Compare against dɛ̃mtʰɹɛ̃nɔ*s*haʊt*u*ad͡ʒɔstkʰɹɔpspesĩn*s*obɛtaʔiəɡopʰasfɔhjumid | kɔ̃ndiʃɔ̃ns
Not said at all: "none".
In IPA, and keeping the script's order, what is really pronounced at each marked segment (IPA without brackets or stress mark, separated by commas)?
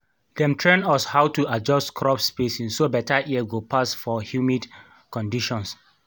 s, u, s